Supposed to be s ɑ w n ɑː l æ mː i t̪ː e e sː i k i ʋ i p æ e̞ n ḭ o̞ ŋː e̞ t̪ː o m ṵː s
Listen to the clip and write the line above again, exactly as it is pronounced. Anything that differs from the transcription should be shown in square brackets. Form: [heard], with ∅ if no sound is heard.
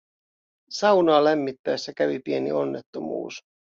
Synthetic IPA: s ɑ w n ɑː l æ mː i t̪ː [æ] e sː [æ] k [æ] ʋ i p [i] e̞ n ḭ o̞ [nː] e̞ t̪ː o m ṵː s